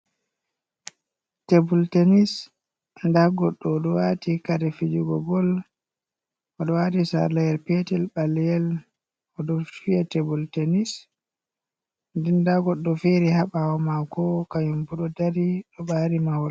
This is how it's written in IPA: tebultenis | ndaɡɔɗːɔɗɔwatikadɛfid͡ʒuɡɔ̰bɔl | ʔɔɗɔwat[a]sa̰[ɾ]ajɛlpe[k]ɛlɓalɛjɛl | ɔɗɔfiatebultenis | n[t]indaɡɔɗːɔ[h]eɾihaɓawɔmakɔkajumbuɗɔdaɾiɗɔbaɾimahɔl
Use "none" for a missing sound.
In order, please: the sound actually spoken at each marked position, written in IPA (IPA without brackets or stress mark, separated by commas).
i, l, t, d, f